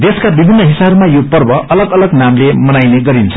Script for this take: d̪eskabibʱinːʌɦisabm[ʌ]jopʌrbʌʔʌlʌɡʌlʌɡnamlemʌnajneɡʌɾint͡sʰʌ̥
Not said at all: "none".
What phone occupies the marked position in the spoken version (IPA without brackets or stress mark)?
a